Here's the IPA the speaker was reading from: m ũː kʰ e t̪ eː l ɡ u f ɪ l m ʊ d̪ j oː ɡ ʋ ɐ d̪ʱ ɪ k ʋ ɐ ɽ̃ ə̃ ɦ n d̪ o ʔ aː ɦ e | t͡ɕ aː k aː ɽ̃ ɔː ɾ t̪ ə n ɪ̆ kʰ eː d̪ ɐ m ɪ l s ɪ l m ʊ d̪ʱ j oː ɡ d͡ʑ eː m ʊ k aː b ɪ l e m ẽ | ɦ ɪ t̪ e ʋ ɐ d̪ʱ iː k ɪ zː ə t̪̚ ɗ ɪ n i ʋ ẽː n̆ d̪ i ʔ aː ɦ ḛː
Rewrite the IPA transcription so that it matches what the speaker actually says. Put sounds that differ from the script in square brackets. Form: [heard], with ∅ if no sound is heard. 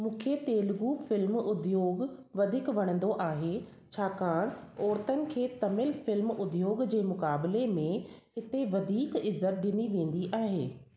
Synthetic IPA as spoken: m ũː kʰ e t̪ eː l ɡ u f ɪ l m ʊ d̪ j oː ɡ ʋ ɐ d̪ʱ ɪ k ʋ ɐ ɽ̃ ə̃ [∅] n d̪ o ʔ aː ɦ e | [t͡ɕʰ] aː k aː ɽ̃ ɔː ɾ t̪ ə n ɪ̆ kʰ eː [t̪] ɐ m ɪ l [f] ɪ l m ʊ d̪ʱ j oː ɡ d͡ʑ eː m ʊ k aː b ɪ l e m ẽ | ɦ ɪ t̪ e ʋ ɐ d̪ʱ iː k ɪ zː ə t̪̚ ɗ ɪ n i ʋ ẽː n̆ d̪ i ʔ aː ɦ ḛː

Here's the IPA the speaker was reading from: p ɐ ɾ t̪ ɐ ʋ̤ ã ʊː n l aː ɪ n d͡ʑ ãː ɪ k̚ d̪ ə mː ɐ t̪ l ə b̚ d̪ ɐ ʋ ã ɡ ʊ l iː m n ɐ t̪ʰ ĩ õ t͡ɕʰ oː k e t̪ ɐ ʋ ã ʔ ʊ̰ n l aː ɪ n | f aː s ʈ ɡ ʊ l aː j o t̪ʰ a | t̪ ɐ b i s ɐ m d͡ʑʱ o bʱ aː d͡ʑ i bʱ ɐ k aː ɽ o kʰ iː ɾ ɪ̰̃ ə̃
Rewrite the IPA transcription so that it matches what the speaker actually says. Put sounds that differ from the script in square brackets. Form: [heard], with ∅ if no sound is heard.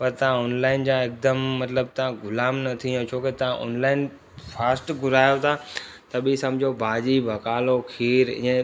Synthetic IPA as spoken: p ɐ ɾ t̪ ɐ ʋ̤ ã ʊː n l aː ɪ n d͡ʑ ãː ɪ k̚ d̪ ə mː ɐ t̪ l ə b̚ [t̪] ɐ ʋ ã ɡ ʊ l [aː] m n ɐ t̪ʰ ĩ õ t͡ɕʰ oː k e t̪ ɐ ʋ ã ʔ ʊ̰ n l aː ɪ n | f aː s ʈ ɡ ʊ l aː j o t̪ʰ a | t̪ ɐ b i s ɐ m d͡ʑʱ o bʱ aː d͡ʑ i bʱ ɐ k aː [l] o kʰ iː ɾ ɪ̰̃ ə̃

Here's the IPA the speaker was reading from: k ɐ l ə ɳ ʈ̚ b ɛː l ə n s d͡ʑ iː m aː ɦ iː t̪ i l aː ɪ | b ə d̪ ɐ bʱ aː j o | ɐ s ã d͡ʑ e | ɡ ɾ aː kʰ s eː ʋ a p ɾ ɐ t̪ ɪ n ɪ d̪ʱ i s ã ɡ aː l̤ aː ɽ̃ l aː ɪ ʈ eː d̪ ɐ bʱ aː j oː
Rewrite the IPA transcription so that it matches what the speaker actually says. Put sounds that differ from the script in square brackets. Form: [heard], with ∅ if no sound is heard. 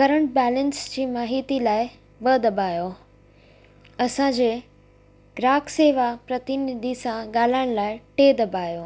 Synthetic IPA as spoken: k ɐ [ɾ] ə ɳ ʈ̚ b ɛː l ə n s d͡ʑ iː m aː ɦ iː t̪ i l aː ɪ | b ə d̪ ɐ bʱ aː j o | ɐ s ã d͡ʑ e | ɡ ɾ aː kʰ s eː ʋ a p ɾ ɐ t̪ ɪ n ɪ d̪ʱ i s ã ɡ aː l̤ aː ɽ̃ l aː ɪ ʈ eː d̪ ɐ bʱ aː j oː

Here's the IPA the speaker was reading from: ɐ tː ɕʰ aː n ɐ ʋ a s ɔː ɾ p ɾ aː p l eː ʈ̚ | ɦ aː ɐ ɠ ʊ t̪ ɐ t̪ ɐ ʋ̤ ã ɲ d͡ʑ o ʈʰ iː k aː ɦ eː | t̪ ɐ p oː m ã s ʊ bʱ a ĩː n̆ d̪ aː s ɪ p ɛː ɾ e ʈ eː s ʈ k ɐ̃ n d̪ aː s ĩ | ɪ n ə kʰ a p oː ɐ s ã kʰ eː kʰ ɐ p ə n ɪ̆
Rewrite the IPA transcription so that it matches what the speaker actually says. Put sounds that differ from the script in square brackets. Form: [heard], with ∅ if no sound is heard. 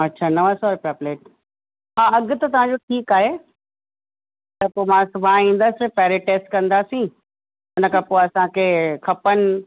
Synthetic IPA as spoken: ɐ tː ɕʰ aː n ɐ ʋ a s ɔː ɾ p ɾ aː p l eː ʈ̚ | ɦ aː ɐ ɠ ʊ t̪ ɐ t̪ ɐ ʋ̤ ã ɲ d͡ʑ o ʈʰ iː k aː ɦ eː | t̪ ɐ p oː m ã s ʊ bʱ a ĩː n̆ d̪ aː s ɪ p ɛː ɾ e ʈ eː s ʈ k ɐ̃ n d̪ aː s ĩ | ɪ n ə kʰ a p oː ɐ s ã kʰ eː kʰ ɐ p ə n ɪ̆

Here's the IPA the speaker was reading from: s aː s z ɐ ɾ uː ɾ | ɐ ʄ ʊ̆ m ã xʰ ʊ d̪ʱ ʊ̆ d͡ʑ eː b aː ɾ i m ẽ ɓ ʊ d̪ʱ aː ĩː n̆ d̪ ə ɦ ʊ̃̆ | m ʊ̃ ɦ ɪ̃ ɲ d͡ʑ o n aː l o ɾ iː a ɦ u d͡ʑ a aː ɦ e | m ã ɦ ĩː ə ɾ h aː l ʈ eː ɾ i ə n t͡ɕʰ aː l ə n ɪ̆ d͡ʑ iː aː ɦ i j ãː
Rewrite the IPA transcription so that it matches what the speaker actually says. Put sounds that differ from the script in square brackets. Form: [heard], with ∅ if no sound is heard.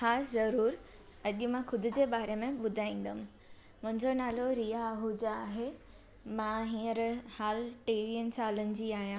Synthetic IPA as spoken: [x] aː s z ɐ ɾ uː ɾ | ɐ ʄ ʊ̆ m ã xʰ ʊ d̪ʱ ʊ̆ d͡ʑ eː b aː ɾ [e] m ẽ ɓ ʊ d̪ʱ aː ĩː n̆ d̪ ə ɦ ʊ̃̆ | m ʊ̃ ɦ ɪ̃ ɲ d͡ʑ o n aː l o ɾ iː a ɦ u d͡ʑ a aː ɦ e | m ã ɦ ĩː ə ɾ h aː l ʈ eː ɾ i ə n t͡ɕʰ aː l ə n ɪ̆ d͡ʑ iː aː ɦ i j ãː

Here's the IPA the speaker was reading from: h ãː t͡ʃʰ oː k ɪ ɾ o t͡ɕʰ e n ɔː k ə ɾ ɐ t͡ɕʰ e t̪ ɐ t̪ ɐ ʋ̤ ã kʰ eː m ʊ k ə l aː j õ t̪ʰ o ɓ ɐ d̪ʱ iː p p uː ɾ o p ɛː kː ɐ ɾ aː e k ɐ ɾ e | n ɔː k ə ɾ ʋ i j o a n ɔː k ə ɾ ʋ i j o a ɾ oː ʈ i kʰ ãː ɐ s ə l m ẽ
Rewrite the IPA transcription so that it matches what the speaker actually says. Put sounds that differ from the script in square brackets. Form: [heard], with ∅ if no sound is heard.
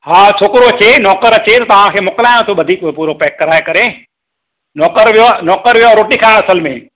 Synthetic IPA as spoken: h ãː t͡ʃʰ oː k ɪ ɾ o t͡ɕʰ e n ɔː k ə ɾ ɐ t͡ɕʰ e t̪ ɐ t̪ ɐ ʋ̤ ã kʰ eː m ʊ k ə l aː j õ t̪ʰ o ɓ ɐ d̪ʱ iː [k] p uː ɾ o p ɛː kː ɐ ɾ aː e k ɐ ɾ e | n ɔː k ə ɾ ʋ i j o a n ɔː k ə ɾ ʋ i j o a ɾ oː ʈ i kʰ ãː ɐ s ə l m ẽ

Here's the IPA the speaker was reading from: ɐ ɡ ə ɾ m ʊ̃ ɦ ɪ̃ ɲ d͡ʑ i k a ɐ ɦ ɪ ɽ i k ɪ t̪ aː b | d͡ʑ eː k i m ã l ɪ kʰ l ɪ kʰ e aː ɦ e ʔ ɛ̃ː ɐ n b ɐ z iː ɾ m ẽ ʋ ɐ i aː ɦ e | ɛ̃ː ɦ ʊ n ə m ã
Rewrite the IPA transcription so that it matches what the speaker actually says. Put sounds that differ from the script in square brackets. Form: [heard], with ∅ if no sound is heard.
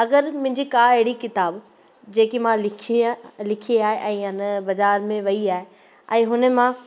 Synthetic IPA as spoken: ɐ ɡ ə ɾ m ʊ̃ ɦ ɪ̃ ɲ d͡ʑ i k a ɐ ɦ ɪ ɽ i k ɪ t̪ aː b | d͡ʑ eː k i m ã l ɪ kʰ l ɪ kʰ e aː ɦ e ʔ ɛ̃ː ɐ n b ɐ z [aː] ɾ m ẽ ʋ ɐ i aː ɦ e | ɛ̃ː ɦ ʊ n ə m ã

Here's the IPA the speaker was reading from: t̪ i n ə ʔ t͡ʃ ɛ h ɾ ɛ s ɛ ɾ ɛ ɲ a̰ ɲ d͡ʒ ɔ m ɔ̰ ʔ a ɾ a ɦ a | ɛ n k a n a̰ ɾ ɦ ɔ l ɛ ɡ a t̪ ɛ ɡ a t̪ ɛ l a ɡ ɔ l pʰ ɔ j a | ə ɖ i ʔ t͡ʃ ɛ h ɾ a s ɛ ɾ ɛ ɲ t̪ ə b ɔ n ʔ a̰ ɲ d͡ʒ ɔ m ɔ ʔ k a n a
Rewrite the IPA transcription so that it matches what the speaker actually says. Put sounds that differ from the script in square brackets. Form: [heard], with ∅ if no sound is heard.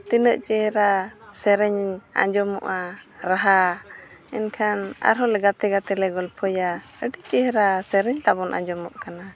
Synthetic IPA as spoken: t̪ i n ə ʔ t͡ʃ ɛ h ɾ [a] s ɛ ɾ ɛ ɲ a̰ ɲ d͡ʒ ɔ m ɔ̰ ʔ a ɾ a ɦ a | ɛ n [kʰ] a n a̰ ɾ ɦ ɔ l ɛ ɡ a t̪ ɛ ɡ a t̪ ɛ l [ɛ] ɡ ɔ l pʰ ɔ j a | ə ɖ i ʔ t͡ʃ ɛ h ɾ a s ɛ ɾ ɛ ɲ t̪ [a] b ɔ n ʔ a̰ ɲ d͡ʒ ɔ m ɔ ʔ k a n a

